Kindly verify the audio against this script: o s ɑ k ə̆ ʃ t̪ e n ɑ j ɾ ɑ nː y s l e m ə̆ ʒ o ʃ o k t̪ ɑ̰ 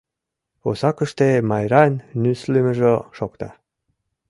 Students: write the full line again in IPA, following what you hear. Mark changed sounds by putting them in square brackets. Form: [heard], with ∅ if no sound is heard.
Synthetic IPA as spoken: o s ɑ k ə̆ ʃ t̪ e [m] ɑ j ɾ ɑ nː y s l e m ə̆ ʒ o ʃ o k t̪ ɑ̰